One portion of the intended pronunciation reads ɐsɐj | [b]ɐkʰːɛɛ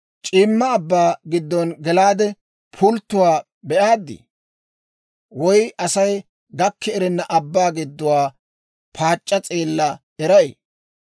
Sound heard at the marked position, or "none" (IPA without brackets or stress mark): ɡ